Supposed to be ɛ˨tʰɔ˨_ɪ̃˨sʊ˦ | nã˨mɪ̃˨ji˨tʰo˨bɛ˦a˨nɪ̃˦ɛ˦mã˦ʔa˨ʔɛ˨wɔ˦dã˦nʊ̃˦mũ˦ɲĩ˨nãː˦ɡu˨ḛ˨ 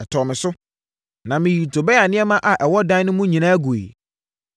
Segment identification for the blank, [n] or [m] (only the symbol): m